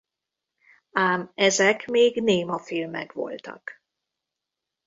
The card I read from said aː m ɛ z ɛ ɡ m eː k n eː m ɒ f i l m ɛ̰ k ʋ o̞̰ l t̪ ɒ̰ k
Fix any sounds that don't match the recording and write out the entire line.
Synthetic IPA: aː m ɛ z ɛ k m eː ɡ n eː m ɒ f i l m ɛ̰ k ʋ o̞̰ l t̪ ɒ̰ k